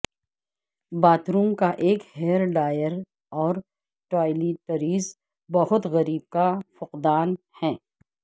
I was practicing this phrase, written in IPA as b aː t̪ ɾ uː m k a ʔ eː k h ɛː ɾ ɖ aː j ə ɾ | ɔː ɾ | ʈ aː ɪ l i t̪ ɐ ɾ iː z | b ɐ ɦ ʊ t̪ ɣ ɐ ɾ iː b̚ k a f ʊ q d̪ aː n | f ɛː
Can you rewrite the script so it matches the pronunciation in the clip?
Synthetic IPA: b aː t̪ ɾ uː m k a ʔ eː k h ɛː ɾ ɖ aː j ə ɾ | ɔː ɾ | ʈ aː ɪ l i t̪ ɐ ɾ iː z | b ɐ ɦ ʊ t̪ ɣ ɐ ɾ iː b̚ k a f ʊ q d̪ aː n | h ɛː